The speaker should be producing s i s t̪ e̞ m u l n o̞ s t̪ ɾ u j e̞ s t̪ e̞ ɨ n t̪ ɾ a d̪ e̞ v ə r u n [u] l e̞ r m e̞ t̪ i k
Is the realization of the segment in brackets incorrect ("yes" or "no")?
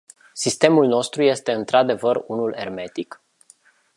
no